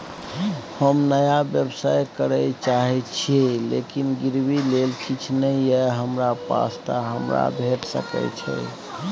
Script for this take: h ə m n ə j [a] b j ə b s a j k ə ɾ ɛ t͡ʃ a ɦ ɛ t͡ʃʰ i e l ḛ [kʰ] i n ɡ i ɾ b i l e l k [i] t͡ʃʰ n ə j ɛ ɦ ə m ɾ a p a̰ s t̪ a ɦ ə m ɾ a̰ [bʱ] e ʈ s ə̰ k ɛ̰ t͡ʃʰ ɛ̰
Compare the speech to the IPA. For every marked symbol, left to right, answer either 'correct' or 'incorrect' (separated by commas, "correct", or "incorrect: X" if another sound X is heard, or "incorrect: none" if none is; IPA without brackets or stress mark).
correct, incorrect: k, correct, correct